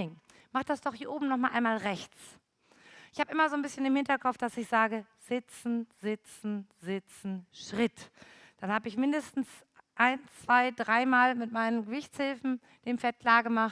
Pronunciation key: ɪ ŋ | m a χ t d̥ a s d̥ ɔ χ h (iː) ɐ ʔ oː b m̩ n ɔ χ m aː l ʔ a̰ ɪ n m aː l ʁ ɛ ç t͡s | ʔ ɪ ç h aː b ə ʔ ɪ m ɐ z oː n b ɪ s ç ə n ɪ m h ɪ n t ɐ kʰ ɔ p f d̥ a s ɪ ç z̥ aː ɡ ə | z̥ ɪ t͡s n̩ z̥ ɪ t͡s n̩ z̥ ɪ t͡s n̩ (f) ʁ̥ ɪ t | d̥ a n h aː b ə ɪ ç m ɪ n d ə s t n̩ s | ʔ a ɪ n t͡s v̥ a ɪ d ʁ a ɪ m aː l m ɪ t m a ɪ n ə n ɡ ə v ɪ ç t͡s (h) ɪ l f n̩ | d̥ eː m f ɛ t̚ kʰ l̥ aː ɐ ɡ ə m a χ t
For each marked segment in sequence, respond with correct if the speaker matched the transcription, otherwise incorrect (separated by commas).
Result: correct, incorrect, correct